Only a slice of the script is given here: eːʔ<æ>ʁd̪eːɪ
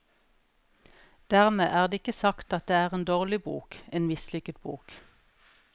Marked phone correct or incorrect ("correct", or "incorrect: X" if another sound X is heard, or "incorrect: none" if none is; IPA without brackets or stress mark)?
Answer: incorrect: æː